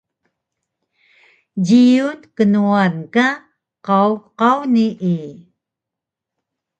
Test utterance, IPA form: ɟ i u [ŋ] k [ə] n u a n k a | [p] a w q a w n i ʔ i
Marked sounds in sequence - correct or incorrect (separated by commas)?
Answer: incorrect, correct, incorrect